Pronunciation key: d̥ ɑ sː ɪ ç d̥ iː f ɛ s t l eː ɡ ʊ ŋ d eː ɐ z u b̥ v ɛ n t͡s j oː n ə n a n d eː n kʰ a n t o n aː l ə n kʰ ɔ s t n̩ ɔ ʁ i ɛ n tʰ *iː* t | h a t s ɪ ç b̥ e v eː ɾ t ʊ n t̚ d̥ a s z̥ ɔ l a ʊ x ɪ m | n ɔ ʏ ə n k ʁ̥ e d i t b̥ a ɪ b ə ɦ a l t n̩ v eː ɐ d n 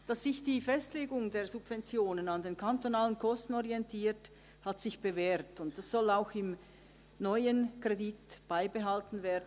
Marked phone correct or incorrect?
correct